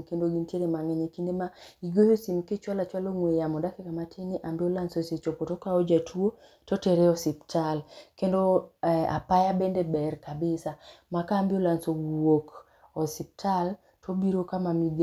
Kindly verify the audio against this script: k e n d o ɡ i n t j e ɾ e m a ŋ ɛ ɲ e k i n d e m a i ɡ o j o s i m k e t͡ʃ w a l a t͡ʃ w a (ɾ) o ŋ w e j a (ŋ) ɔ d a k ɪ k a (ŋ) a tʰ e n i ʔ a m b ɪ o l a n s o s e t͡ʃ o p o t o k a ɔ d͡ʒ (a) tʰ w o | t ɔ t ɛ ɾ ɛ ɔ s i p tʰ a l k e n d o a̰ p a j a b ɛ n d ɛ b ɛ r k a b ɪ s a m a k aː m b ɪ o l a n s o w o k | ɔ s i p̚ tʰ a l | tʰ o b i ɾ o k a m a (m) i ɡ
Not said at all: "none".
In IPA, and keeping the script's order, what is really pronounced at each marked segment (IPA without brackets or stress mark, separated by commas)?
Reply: l, m, m, a, m